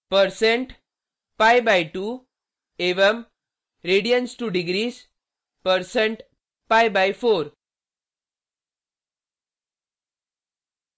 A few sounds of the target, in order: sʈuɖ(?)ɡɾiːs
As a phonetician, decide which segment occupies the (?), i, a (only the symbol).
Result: i